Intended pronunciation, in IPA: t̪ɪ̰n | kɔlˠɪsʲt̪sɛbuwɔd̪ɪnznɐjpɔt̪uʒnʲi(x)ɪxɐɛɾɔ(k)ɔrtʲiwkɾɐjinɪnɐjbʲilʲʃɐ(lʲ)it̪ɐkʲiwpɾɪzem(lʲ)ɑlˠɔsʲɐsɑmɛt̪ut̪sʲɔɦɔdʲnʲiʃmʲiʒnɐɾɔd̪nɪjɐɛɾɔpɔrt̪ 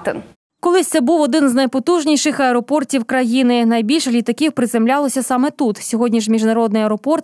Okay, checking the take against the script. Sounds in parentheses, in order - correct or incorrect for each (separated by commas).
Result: incorrect, incorrect, correct, correct